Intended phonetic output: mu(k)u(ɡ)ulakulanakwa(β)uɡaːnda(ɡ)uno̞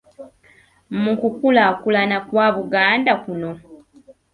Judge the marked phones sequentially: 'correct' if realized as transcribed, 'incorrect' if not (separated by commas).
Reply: correct, incorrect, correct, incorrect